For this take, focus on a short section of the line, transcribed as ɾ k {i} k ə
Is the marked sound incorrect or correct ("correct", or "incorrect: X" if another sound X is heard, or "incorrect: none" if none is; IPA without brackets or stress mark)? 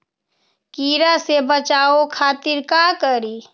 incorrect: a